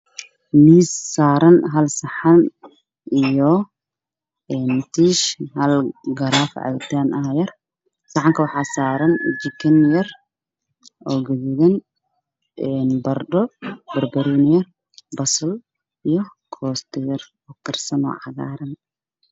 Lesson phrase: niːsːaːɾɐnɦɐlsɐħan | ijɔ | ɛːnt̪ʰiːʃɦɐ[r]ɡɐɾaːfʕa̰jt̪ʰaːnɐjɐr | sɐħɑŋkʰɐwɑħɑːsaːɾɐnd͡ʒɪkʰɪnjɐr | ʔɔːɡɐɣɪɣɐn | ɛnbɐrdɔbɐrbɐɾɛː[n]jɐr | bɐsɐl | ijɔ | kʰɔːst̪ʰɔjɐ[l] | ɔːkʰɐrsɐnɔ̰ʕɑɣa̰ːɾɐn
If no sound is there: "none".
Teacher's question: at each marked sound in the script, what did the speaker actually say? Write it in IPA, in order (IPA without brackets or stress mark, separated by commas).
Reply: l, n, r